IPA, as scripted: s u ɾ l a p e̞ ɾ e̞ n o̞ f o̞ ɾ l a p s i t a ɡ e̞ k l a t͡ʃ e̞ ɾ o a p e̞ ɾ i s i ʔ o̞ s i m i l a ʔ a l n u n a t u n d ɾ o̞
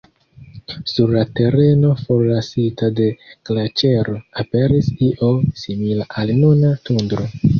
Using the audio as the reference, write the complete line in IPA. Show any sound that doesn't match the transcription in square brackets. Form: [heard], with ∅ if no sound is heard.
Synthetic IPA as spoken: s u ɾ l a [t] e̞ ɾ e̞ n o̞ f o̞ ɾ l a [∅] s i t a [d] e̞ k l a t͡ʃ e̞ ɾ o a p e̞ ɾ i s i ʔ o̞ s i m i l a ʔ a l n u n a t u n d ɾ o̞